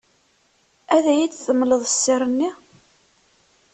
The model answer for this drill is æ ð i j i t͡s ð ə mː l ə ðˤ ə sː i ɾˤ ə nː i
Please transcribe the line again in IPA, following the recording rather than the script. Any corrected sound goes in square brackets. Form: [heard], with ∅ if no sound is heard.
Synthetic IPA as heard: æ ð [æ] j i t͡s [θ] ə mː l ə ðˤ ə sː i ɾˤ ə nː i